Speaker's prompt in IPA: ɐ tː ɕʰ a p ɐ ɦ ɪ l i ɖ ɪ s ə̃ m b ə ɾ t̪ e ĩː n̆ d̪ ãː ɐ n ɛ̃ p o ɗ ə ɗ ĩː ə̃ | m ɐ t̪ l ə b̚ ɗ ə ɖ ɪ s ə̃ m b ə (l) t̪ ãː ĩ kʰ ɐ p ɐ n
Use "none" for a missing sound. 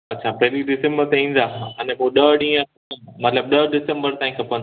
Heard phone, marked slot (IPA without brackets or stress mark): ɾ